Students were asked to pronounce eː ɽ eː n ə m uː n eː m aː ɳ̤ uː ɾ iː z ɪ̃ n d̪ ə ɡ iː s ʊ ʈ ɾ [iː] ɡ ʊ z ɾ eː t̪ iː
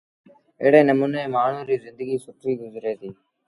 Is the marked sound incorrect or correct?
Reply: correct